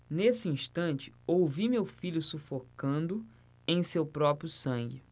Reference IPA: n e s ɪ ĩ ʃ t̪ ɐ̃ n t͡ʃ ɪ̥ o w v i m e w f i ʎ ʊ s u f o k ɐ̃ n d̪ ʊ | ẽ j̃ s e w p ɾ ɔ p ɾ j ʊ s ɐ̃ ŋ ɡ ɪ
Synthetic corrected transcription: n e s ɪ ĩ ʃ t̪ ɐ̃ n t͡ʃ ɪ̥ o w v i m e w f i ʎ ʊ s u f o k ɐ̃ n d̪ ʊ | ẽ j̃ s e w p ɾ ɔ p ɾ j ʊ s ɐ̃ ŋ ɡ ɪ